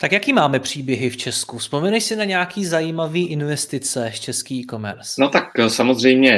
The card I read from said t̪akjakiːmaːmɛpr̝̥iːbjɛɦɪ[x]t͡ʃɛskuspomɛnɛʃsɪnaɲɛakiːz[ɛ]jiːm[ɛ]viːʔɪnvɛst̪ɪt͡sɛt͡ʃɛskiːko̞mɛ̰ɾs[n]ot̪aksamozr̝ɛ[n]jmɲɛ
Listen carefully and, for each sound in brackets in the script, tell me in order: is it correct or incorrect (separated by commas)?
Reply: incorrect, incorrect, incorrect, correct, incorrect